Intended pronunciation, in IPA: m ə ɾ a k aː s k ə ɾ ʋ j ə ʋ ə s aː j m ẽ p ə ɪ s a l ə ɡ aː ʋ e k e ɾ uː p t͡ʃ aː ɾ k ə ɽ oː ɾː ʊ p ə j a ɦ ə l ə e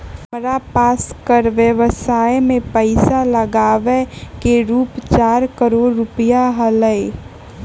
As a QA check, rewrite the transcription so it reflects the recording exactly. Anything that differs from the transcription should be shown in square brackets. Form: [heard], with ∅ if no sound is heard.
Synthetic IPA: m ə ɾ a [p] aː s k ə ɾ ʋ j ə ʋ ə s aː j m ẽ p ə ɪ s a l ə ɡ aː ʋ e k e ɾ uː p t͡ʃ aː ɾ k ə [ɾ] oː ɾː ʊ p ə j a ɦ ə l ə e

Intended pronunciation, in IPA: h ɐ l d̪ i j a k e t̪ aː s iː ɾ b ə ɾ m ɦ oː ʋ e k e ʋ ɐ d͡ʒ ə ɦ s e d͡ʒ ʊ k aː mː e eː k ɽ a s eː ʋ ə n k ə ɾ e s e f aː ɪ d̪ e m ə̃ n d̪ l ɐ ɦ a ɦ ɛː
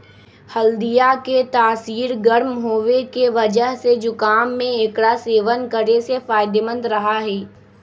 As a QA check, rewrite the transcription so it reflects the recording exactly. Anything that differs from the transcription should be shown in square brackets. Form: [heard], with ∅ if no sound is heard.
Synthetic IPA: h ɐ l d̪ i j a k e t̪ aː s iː ɾ [ɡ] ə ɾ m ɦ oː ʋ e k e ʋ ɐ d͡ʒ ə ɦ s e d͡ʒ ʊ k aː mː [ẽ] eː k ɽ a s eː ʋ ə n k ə ɾ e s e f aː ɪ d̪ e m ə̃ n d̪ [ɾ] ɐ ɦ a ɦ ɛː

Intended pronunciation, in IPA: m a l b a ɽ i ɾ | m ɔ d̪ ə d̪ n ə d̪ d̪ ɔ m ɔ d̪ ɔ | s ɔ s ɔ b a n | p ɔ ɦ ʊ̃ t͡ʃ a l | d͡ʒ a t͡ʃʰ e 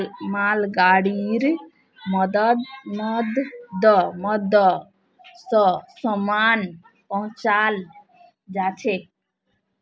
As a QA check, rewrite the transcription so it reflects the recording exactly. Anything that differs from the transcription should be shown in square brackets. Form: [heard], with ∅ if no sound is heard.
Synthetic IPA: m a l [ɡ] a ɽ i ɾ | m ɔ d̪ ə d̪ n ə d̪ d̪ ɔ m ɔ d̪ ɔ | s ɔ s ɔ [m] a n | p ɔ ɦ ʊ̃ t͡ʃ a l | d͡ʒ a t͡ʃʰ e

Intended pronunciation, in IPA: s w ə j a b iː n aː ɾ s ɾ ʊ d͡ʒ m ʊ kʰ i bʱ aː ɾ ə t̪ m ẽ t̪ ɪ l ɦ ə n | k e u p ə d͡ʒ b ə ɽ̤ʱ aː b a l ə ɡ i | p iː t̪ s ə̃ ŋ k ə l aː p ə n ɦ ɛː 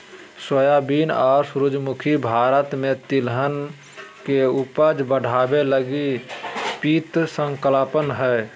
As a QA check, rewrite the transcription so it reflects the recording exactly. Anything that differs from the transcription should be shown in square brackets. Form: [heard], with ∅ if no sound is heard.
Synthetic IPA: s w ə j a b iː n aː ɾ s ɾ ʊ d͡ʒ m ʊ kʰ i bʱ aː ɾ ə t̪ m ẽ t̪ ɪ l ɦ ə n | k e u p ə d͡ʒ b ə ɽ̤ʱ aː b [e] l ə ɡ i | p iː t̪ s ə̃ ŋ k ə l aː p ə n ɦ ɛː

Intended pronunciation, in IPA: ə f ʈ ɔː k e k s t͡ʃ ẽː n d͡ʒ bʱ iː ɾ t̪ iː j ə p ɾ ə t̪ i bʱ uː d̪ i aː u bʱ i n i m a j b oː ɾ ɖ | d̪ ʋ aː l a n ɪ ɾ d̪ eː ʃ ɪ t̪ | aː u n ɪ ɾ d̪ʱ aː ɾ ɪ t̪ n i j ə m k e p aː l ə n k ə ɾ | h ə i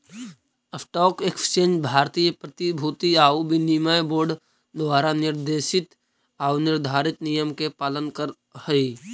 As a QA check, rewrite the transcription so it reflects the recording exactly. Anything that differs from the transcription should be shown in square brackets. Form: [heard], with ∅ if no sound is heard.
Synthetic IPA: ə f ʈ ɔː k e k s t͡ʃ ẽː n d͡ʒ bʱ [aː] ɾ t̪ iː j ə p ɾ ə t̪ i bʱ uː [t̪] i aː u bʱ i n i m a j b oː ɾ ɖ | d̪ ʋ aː [ɾ] a n ɪ ɾ d̪ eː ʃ ɪ t̪ | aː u n ɪ ɾ d̪ʱ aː ɾ ɪ t̪ n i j ə m k e p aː l ə n k ə ɾ | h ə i

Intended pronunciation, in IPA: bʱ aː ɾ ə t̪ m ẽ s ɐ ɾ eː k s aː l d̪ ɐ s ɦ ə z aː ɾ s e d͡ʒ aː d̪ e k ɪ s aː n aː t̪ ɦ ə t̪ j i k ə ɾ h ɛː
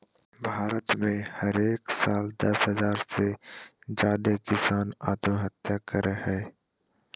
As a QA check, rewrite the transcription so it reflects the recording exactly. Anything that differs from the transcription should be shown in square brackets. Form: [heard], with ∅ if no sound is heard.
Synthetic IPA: bʱ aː ɾ ə t̪ m ẽ [h] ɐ ɾ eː k s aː l d̪ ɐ s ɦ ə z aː ɾ s e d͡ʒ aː d̪ e k ɪ s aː n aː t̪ ɦ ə t̪ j [a] k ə ɾ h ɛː

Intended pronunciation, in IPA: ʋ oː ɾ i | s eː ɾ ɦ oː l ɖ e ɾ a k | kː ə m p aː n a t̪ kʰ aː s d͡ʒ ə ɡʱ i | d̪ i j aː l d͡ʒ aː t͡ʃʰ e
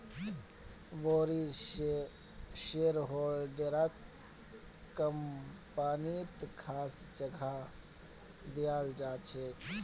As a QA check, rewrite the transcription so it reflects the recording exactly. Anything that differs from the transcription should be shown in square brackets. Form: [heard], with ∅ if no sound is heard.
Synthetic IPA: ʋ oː ɾ i | [ʃ] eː ɾ ɦ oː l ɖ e ɾ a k | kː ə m p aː n [i] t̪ kʰ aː s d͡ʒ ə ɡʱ [a] | d̪ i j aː l d͡ʒ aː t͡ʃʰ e

